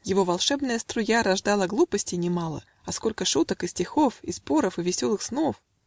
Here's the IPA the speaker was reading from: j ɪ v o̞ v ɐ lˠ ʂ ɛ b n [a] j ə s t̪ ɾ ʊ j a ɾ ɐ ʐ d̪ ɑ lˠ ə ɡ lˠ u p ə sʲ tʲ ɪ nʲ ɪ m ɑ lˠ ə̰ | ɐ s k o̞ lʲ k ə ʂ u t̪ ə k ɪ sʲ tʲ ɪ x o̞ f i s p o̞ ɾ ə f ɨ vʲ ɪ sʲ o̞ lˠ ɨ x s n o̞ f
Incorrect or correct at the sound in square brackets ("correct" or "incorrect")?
incorrect